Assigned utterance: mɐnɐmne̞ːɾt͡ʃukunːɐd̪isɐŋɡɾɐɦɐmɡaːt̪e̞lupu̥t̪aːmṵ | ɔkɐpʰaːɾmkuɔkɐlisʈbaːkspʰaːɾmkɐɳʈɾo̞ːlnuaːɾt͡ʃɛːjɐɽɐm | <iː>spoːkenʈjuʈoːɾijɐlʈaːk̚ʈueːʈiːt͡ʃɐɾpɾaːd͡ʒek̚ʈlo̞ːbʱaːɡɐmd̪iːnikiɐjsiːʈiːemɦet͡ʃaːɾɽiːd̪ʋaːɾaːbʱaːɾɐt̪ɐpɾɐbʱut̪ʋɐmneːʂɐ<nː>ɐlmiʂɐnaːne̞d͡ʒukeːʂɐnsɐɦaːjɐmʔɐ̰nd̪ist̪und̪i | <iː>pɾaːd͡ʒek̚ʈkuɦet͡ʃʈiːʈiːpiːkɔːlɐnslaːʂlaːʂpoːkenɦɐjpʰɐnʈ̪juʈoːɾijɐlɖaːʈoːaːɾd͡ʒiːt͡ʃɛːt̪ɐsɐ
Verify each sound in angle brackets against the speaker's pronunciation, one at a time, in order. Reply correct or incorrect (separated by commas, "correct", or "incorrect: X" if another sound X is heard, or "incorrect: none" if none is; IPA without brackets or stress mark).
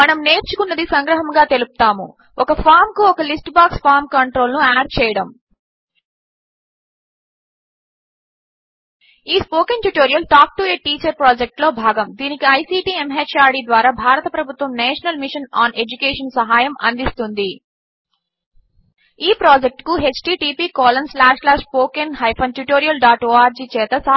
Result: correct, incorrect: n, correct